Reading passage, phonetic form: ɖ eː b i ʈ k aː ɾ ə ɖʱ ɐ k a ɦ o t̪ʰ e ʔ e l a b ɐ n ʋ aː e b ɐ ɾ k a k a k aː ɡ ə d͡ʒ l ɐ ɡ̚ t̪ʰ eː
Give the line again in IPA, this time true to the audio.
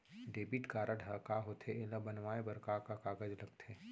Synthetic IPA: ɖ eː b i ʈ k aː ɾ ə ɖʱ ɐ k a ɦ o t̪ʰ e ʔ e l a b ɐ n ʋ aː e b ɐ ɾ k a k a k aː ɡ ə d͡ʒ l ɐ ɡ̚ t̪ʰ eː

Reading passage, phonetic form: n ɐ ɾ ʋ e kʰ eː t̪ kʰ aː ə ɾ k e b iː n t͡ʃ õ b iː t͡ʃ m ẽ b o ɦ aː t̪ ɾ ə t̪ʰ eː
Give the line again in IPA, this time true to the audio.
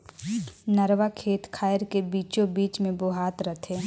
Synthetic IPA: n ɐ ɾ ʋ a kʰ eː t̪ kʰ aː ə ɾ k e b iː t͡ʃ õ b iː t͡ʃ m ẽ b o ɦ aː t̪ ɾ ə t̪ʰ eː

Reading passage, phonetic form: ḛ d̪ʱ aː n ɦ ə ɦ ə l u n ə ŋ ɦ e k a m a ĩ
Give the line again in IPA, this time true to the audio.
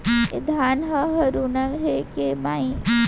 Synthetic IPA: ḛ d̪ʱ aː n ɦ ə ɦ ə ɾ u n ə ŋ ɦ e k e m a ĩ

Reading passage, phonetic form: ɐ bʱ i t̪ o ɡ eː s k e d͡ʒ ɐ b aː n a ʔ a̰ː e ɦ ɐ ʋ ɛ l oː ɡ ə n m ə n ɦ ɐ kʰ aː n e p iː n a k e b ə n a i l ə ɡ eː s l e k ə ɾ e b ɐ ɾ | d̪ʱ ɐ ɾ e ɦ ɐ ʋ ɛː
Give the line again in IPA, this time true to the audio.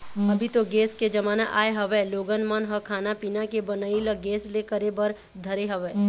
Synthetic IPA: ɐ bʱ i t̪ o ɡ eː s k e d͡ʒ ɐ m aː n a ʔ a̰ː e ɦ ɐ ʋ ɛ l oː ɡ ə n m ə n ɦ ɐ kʰ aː n a p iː n a k e b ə n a i l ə ɡ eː s l e k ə ɾ e b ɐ ɾ | d̪ʱ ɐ ɾ e ɦ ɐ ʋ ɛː

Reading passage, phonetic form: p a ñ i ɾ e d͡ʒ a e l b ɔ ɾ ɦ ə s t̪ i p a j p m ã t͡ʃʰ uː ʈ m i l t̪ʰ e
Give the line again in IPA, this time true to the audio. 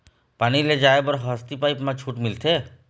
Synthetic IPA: p a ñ i l e d͡ʒ a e b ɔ ɾ ɦ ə s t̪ i p a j p m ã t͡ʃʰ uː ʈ m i l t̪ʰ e

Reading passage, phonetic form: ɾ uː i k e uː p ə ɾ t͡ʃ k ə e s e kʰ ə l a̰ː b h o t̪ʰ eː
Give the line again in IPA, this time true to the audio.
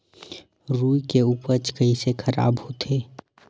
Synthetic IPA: ɾ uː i k e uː p ə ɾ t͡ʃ k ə i s e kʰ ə ɾ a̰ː b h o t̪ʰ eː

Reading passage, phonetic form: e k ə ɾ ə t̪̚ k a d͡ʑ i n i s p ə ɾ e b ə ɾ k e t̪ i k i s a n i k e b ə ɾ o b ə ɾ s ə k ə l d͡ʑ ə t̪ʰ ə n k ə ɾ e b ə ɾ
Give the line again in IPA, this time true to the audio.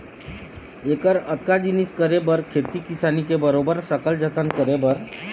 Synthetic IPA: e k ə ɾ ə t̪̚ k a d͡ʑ i n i s k ə ɾ e b ə ɾ kʰ e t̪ i k i s a n i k e b ə ɾ o b ə ɾ s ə k ə l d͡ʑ ə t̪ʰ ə n k ə ɾ e b ə ɾ

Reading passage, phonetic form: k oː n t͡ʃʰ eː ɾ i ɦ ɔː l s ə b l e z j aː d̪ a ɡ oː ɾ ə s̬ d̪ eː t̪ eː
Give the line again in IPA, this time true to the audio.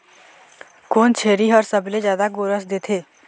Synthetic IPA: k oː n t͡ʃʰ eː ɾ i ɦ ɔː ɾ s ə b l e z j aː d̪ a ɡ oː ɾ ə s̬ d̪ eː t̪ʰ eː

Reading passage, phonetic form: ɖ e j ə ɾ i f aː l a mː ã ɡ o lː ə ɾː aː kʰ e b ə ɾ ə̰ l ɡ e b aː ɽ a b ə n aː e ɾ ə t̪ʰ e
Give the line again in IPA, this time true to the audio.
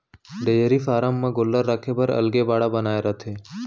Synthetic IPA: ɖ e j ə ɾ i f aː ɾ a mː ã ɡ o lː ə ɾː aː kʰ e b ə ɾ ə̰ l ɡ e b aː ɽ a b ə n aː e ɾ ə t̪ʰ e

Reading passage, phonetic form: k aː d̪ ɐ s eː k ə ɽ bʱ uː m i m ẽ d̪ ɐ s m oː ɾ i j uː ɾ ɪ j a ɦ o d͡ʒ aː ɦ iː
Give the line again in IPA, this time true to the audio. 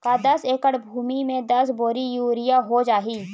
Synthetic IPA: k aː d̪ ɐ s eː k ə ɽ bʱ uː m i m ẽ d̪ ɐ s b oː ɾ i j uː ɾ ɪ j a ɦ o d͡ʒ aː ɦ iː

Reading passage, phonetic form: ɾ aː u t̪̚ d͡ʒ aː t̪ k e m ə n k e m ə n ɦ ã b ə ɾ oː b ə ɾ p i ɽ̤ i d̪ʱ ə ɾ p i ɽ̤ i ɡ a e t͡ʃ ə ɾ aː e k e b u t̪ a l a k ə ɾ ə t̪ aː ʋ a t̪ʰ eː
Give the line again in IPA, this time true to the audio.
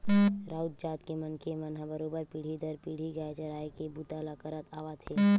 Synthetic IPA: ɾ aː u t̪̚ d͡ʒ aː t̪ k e m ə n k e m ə n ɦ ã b ə ɾ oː b ə ɾ p i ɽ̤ i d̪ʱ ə ɾ p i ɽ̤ i ɡ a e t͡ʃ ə ɾ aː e k e b u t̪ a l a k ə ɾ ə t̪ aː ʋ a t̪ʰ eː

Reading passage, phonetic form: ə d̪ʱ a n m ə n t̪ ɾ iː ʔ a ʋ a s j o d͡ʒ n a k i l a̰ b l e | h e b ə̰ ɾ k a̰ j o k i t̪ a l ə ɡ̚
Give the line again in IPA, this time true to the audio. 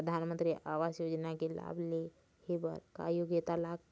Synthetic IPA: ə d̪ʱ a n m ə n t̪ ɾ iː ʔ a ʋ a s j o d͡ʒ n a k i l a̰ b l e | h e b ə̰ ɾ k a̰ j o ɡ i t̪ a l a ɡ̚

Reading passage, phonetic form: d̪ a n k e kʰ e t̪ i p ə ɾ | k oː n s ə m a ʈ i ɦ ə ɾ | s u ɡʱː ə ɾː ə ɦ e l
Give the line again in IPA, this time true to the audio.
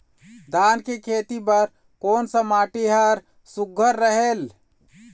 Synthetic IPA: d̪ a n k e kʰ e t̪ i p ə ɾ | k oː n s ə m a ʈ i ɦ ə ɾ | s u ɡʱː ə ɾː ə ɦ e l

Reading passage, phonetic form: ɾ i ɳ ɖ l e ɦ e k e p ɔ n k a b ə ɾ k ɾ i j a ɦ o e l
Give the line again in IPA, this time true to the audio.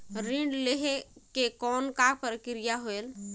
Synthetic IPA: ɾ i ɳ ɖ l e ɦ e k e k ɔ n k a p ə ɾ k ɾ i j a ɦ o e l

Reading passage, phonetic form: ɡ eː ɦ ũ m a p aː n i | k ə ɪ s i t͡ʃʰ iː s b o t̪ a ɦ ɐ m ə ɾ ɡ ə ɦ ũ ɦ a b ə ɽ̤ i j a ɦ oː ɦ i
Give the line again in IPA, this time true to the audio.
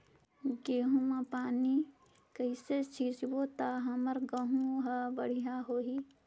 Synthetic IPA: ɡ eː ɦ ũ m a p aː n i | k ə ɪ s e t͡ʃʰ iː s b o t̪ a ɦ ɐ m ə ɾ ɡ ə ɦ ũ ɦ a b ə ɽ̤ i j a ɦ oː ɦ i

